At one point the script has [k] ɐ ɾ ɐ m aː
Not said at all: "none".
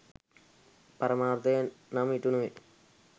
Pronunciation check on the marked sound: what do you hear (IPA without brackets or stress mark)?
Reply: p